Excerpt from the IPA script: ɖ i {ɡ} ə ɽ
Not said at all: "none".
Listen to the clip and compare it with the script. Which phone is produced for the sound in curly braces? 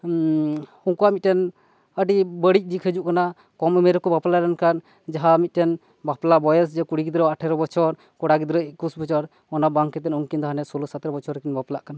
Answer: b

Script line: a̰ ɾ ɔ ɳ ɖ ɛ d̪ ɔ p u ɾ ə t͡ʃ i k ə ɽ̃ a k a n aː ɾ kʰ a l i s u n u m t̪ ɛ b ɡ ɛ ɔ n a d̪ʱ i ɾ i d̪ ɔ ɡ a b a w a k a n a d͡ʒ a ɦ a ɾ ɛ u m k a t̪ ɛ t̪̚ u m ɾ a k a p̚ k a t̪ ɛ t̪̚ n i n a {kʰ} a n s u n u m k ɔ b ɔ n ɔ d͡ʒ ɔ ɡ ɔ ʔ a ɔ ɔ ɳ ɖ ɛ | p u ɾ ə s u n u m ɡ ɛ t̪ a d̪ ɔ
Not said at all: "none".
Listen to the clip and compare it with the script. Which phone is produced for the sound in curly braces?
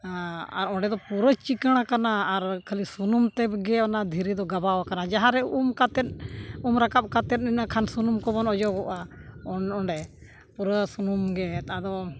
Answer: kʰ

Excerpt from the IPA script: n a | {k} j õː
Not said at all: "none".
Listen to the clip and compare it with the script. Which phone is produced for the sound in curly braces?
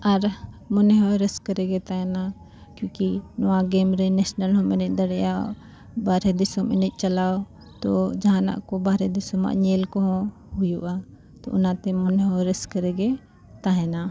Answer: k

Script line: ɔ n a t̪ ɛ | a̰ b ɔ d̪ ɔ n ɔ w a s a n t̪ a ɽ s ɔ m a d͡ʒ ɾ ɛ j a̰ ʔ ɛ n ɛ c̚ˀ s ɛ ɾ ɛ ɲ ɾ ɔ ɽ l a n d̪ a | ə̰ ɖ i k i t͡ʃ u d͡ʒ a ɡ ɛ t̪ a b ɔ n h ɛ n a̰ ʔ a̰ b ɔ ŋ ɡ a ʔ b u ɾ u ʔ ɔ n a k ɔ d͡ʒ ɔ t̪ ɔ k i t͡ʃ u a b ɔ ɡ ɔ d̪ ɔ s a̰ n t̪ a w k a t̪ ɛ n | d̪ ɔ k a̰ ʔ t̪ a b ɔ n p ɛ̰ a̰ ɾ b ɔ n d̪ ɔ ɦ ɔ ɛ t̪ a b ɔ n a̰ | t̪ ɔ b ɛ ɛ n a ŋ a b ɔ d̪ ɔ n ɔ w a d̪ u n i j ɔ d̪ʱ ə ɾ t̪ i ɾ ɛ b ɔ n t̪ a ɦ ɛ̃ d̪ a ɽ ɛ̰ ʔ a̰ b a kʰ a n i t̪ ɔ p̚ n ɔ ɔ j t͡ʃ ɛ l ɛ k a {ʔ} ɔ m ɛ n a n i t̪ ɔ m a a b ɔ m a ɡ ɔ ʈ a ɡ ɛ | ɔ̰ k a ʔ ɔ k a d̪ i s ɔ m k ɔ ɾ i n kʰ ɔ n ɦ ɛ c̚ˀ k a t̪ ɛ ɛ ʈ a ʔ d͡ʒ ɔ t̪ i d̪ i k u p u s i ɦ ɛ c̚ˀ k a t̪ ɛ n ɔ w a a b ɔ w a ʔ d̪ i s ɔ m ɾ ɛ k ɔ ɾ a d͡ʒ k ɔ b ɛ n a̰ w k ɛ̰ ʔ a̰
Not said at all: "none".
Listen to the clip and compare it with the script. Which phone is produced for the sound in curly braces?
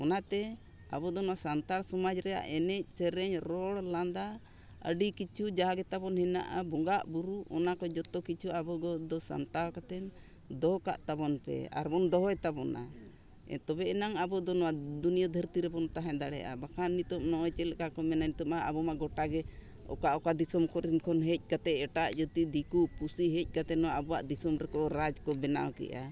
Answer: k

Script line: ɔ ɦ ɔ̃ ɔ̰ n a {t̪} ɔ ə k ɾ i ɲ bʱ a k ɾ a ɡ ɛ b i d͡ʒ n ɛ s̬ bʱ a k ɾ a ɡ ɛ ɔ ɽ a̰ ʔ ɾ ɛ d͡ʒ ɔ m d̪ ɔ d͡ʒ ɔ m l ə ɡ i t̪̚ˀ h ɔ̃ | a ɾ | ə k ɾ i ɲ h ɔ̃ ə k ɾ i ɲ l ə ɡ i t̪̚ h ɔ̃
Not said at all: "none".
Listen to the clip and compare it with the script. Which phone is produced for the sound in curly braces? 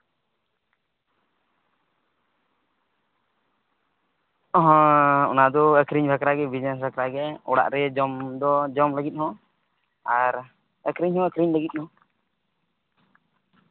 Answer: d̪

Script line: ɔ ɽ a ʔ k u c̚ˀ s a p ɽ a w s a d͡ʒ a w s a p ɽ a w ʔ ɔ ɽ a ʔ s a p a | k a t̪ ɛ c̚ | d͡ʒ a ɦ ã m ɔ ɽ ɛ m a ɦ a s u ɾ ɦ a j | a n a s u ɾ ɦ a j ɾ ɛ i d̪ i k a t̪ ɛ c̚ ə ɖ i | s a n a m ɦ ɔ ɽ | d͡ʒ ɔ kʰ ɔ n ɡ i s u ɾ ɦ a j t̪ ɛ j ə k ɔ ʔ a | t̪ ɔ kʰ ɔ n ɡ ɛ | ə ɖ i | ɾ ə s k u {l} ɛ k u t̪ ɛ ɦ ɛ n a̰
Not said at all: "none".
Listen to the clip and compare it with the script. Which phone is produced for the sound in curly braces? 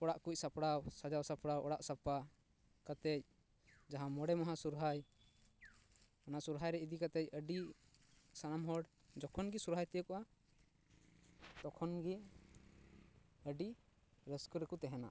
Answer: ɾ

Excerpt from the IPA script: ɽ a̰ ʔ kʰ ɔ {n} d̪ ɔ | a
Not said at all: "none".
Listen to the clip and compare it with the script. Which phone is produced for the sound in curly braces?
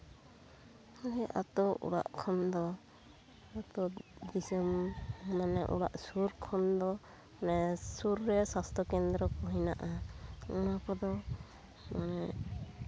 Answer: n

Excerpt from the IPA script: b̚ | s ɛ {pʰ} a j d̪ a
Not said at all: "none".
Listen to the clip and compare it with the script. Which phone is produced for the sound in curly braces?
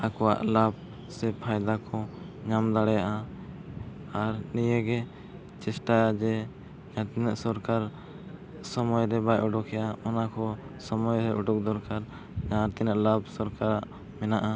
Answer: pʰ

